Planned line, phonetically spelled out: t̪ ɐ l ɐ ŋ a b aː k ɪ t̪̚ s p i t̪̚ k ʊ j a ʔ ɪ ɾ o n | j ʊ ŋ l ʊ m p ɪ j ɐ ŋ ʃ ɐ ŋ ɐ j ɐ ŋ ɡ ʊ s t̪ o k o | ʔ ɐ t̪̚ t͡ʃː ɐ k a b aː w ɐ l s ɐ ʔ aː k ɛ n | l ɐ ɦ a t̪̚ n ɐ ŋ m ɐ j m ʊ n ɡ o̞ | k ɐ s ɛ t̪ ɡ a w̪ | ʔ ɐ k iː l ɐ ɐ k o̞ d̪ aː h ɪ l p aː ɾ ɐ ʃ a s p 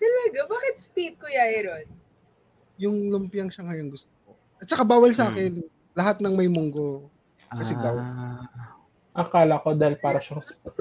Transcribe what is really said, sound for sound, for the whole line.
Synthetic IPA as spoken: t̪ ɐ l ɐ ɡ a b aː k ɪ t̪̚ s p i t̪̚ k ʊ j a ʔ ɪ ɾ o n | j ʊ ŋ l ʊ m p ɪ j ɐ ŋ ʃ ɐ ŋ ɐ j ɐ ŋ ɡ ʊ s t̪ o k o | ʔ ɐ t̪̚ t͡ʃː ɐ k a b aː w ɐ l s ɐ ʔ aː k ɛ n | l ɐ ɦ a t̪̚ n ɐ ŋ m ɐ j m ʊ ŋ ɡ o̞ | k ɐ s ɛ ɡ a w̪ | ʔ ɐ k aː l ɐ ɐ k o̞ d̪ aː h ɪ l p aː ɾ ɐ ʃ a s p